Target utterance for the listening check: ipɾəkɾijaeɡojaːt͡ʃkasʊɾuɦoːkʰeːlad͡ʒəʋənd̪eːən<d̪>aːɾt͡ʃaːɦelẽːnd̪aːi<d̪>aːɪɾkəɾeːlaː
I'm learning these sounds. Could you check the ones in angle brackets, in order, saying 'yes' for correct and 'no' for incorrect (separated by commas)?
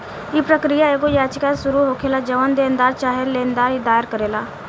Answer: yes, yes